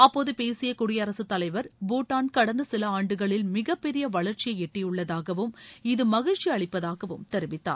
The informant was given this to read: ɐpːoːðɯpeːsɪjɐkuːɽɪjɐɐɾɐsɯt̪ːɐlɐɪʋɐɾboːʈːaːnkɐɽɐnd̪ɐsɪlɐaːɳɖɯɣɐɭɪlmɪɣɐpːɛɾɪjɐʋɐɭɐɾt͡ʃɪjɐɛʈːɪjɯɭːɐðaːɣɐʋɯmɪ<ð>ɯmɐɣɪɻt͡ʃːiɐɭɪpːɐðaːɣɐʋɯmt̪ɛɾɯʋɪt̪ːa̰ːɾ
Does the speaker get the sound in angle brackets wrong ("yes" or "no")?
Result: no